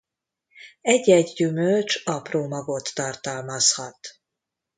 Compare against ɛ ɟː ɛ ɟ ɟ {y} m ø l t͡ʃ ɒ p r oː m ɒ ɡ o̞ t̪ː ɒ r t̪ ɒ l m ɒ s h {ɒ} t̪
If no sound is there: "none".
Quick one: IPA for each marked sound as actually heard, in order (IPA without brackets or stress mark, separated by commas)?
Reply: y, ɒ